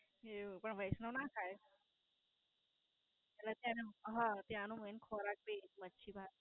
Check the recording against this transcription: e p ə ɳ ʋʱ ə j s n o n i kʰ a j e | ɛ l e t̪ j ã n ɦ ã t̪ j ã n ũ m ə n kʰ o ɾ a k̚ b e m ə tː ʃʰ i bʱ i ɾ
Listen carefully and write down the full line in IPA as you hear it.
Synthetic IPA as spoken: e p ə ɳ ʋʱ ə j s n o n a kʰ a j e | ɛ l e t̪ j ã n ɦ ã t̪ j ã n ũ m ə n kʰ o ɾ a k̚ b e m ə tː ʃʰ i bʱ a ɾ

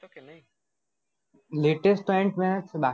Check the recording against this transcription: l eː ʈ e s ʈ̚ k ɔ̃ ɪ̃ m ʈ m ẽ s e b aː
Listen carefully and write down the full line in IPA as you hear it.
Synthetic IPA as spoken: l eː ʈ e s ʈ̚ p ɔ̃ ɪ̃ ɳ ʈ m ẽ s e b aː

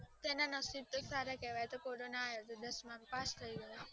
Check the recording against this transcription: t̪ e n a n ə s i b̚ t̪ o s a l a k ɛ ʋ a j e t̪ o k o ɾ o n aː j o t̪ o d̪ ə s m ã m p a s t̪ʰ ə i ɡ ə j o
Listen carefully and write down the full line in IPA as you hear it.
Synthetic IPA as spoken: t̪ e n a n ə s i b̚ t̪ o s a ɾ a k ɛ ʋ a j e t̪ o k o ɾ o n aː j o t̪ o d̪ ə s m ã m p a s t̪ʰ ə i ɡ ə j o

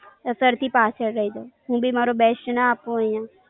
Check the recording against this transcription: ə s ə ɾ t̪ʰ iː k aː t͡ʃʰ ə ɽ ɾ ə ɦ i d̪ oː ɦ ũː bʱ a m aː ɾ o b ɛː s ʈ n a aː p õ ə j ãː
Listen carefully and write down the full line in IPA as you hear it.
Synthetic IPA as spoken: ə s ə ɾ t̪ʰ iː p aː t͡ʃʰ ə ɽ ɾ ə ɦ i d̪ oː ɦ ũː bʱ i m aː ɾ o b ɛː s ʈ n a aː p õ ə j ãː

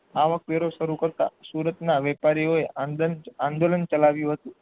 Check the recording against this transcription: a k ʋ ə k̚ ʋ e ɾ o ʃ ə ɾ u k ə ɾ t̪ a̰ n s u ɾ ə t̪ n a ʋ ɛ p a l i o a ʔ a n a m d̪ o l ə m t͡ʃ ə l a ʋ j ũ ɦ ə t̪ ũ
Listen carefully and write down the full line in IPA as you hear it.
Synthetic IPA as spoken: a ʋ ə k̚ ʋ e ɾ o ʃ ə ɾ u k ə ɾ t̪ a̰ s u ɾ ə t̪ n a ʋ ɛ p a ɾ i o e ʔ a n a n d̪ o l ə n t͡ʃ ə l a ʋ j ũ ɦ ə t̪ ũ

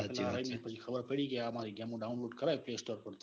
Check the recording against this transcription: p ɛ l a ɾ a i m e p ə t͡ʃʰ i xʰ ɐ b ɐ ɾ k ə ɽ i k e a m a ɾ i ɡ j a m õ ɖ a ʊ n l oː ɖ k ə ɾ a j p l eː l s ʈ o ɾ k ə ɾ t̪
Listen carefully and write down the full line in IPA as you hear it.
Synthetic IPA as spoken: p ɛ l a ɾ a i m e p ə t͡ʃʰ i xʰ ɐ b ə ɾ p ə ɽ i k e a m a ɾ i ɡ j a m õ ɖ a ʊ n l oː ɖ k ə ɾ a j p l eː s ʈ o ɾ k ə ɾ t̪

